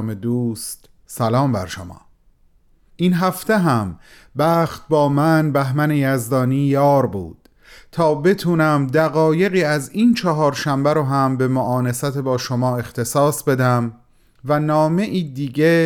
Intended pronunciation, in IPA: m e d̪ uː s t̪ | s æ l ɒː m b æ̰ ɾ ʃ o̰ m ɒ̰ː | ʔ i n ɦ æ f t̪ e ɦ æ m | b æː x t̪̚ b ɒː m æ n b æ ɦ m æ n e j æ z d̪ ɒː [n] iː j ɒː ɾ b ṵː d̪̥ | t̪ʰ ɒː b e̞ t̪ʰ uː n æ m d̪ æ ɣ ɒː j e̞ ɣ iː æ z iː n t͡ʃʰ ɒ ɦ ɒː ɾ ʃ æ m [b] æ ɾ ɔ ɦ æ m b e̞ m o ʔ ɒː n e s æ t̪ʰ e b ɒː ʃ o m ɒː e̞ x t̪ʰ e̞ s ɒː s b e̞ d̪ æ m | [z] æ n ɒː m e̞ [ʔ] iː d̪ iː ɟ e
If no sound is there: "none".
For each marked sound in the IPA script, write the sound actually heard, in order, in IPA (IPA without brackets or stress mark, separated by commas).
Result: n, b, v, ʔ